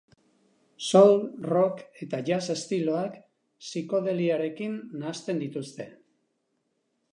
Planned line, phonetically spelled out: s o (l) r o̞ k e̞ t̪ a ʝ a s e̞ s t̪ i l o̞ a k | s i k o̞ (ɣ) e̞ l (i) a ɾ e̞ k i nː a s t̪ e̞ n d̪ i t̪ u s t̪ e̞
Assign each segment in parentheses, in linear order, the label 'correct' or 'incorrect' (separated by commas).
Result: correct, incorrect, correct